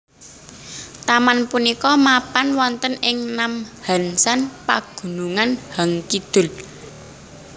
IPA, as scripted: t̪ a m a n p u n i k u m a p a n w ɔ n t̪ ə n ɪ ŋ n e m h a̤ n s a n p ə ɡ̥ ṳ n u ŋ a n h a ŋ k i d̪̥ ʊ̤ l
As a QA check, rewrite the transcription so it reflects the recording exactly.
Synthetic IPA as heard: t̪ a m a n p u n i k ɔ m a p a n w ɔ n t̪ ə n ɪ ŋ n a m h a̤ n s a n p a ɡ̥ ṳ n u ŋ a n h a ŋ k i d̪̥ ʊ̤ l

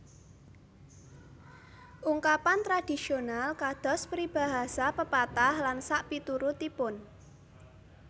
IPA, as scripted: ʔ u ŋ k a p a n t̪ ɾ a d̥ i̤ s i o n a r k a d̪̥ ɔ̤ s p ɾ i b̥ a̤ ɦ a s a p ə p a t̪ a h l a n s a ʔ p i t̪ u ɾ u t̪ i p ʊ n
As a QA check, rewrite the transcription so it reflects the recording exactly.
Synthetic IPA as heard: ʔ u ŋ k a p a n t̪ ɾ a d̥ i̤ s i o n a l k a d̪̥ ɔ̤ s p ɾ i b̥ a̤ ɦ a s a p ə p a t̪ a h l a n s a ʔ p i t̪ u ɾ u t̪ i p ʊ n

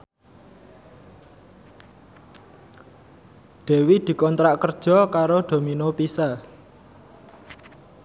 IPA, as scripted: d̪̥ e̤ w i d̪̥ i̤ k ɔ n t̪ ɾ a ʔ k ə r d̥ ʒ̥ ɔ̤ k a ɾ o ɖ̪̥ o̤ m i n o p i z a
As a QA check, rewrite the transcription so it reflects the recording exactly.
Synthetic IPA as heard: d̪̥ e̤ w i d̪̥ i̤ k ɔ n t̪ ɾ a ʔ k ə r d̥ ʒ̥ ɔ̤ k a ɾ o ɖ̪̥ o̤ m i n o p i s a

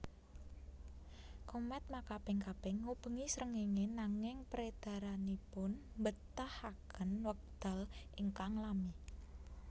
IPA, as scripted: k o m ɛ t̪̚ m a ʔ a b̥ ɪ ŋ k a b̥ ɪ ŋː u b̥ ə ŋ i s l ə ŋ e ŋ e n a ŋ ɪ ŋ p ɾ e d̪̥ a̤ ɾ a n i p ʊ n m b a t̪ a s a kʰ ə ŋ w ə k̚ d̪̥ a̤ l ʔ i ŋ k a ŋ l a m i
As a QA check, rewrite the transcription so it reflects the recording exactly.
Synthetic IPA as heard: k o m ɛ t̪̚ m a k a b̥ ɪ ŋ k a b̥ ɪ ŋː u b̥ ə ŋ i s ɾ ə ŋ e ŋ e n a ŋ ɪ ŋ p ɾ e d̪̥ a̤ ɾ a n i p ʊ n m b ə t̪ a h a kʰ ə n w ə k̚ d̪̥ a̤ l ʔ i ŋ k a ŋ l a m i

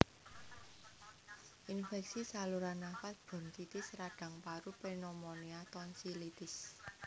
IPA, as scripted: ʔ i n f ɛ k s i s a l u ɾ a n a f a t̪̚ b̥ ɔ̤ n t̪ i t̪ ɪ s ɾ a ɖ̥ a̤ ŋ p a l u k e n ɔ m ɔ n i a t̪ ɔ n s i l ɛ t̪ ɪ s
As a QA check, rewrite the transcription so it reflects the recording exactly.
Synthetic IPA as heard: ʔ i n f ɛ k s i s a l u ɾ a n a f a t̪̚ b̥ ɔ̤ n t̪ i t̪ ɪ s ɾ a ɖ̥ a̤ ŋ p a ɾ u p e n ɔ m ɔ n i a t̪ ɔ n s i l i t̪ ɪ s

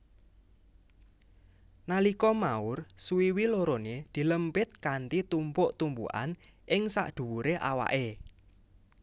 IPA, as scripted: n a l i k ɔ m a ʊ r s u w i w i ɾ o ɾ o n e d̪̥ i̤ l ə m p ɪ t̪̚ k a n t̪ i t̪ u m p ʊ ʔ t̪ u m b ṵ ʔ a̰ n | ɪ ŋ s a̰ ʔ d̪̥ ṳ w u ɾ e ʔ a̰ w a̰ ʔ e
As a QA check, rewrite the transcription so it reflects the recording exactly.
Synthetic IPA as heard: n a l i k ɔ m a ʊ r s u w i w i l o ɾ o n e d̪̥ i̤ l ə m p ɪ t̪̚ k a n t̪ i t̪ u m p ʊ ʔ t̪ u m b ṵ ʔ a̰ n | ɪ ŋ s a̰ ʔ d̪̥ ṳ w u ɾ e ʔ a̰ w a̰ ʔ e

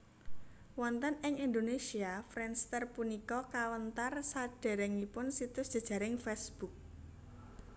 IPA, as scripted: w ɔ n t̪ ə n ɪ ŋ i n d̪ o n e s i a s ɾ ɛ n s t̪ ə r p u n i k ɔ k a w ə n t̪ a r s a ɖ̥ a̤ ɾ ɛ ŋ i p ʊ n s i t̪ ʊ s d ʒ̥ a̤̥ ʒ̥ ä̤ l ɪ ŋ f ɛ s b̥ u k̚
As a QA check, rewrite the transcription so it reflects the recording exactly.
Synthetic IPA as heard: w ɔ n t̪ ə n ɪ ŋ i n d̪ o n e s i a f ɾ ɛ n s t̪ ə r p u n i k ɔ k a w ə n t̪ a r s a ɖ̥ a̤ ɾ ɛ ŋ i p ʊ n s i t̪ ʊ s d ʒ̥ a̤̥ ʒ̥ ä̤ ɾ ɪ ŋ f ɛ s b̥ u k̚

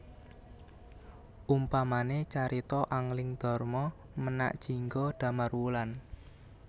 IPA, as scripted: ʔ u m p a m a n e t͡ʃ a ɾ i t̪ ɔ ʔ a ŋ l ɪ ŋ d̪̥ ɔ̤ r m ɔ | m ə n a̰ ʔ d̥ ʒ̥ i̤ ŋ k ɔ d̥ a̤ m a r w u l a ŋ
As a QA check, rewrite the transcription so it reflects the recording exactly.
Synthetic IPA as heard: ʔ u m p a m a n e t͡ʃ a ɾ i t̪ ɔ ʔ a ŋ l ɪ ŋ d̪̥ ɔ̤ r m ɔ | m ə n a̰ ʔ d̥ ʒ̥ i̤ ŋ ɡ ɔ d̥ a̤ m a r w u l a n

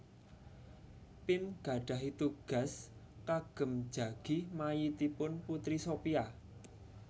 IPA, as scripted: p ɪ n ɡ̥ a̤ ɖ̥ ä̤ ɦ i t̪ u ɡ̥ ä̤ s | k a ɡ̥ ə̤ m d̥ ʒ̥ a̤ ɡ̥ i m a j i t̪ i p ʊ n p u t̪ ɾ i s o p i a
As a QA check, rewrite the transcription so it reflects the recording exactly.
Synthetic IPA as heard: p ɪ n ɡ̥ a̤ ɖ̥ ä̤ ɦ i t̪ u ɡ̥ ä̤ s | k a ɡ̥ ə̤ m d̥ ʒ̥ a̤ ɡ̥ i m a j i t̪ i p ʊ n p u t̪ ɾ i s o p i a

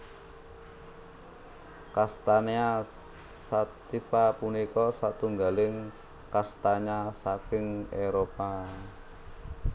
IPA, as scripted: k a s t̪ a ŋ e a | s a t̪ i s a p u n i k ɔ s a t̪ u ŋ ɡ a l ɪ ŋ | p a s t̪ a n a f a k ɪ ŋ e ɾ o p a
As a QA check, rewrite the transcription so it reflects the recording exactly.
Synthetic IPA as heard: k a s t̪ a n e a | s a t̪ i f a p u n i k ɔ s a t̪ u ŋ ɡ a l ɪ ŋ | k a s t̪ a ɲ a s a k ɪ ŋ e ɾ o p a

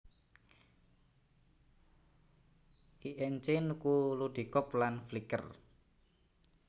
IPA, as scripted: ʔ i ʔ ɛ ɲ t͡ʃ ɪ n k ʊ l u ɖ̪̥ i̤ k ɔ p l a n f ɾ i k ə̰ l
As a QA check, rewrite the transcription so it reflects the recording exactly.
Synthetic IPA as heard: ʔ i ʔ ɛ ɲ t͡ʃ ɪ n k u l u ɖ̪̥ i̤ k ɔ p l a n f l i k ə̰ r

